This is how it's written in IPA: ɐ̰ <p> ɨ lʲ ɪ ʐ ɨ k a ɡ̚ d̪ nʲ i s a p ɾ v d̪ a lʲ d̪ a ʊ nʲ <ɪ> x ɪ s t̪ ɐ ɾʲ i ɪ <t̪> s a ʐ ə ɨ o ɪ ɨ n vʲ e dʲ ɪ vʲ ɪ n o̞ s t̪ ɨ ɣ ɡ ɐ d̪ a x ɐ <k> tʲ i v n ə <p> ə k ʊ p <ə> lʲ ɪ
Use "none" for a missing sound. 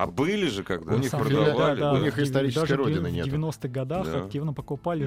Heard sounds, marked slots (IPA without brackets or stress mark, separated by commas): b, i, d̪, k, p, a